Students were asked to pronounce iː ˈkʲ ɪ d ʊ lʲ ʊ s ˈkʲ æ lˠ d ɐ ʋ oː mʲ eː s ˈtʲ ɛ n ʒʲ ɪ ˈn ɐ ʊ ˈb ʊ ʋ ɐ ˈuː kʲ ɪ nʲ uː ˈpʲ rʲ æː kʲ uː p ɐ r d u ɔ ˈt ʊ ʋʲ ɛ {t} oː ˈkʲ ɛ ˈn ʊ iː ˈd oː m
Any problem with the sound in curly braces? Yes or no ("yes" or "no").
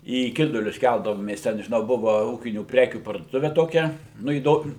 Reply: no